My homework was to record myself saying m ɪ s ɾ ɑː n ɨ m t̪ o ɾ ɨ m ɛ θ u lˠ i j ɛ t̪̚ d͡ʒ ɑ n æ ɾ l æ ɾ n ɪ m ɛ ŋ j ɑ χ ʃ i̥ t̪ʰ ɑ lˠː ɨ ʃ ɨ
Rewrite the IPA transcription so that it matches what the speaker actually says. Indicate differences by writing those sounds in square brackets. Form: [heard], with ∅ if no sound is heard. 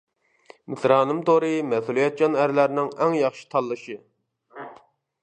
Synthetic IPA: m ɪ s ɾ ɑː n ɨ m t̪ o ɾ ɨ m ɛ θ u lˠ i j ɛ t̪̚ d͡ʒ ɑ n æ ɾ l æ ɾ n ɪ [ŋ] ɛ ŋ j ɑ χ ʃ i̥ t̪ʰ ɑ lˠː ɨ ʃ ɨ